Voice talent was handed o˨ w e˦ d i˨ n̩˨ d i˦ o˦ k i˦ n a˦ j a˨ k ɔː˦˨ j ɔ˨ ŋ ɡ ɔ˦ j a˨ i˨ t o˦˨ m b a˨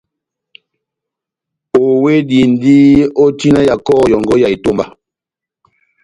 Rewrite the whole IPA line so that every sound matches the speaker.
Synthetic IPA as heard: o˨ w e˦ d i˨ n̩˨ d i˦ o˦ t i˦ n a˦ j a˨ k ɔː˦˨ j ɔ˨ ŋ ɡ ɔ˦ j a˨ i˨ t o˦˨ m b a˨

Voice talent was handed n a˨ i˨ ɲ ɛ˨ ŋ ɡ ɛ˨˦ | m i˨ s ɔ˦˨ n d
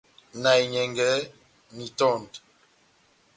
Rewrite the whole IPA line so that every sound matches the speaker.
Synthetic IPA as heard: n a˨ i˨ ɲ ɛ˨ ŋ ɡ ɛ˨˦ | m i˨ t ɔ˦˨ n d

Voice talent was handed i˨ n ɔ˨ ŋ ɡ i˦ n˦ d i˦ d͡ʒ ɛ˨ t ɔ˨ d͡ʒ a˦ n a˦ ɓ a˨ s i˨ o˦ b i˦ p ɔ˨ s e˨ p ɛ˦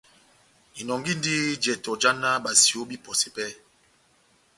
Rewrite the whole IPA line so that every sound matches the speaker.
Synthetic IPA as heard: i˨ n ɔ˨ ŋ ɡ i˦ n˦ d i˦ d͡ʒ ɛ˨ t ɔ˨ d͡ʒ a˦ n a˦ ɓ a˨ s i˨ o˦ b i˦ p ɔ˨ s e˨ p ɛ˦

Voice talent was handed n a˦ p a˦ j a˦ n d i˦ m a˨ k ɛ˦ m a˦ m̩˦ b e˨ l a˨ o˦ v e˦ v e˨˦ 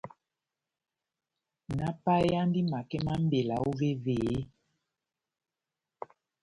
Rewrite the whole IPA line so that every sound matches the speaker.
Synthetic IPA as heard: n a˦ p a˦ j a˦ n d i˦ m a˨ k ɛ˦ m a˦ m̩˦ b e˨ l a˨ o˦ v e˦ v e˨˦

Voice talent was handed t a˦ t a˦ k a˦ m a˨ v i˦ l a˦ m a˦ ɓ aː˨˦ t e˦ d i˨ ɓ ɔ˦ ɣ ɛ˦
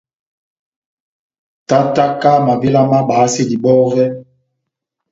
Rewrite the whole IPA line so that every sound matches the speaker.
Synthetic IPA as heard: t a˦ t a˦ k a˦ m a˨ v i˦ l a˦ m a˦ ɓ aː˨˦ s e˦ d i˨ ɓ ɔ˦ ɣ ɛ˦

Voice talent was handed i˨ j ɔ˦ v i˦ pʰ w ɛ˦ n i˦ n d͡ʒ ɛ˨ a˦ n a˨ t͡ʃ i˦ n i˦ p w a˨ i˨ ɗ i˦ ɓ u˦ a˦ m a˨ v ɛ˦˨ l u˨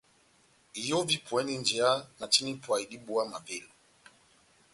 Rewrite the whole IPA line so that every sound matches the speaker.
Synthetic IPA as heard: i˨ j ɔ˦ v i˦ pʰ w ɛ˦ n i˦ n d͡ʒ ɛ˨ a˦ n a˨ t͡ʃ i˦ n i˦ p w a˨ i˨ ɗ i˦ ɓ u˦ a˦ m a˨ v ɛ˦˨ l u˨

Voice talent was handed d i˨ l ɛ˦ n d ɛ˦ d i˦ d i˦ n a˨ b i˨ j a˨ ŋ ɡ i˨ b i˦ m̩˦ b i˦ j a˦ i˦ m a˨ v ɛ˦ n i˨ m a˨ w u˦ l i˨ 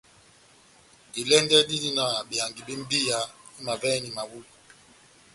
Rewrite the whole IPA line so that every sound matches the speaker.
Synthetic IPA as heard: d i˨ l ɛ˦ n d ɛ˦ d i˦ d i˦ n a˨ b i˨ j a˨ ŋ ɡ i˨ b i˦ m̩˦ b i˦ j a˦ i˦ m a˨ v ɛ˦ n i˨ m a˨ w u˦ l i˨

